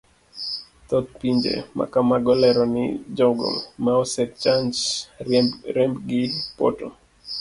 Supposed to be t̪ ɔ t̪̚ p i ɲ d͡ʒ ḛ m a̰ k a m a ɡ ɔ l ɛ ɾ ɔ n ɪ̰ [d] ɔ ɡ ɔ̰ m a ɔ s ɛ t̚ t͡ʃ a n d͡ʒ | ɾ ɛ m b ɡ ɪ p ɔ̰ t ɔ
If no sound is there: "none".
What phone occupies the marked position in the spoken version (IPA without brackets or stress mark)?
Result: d͡ʒ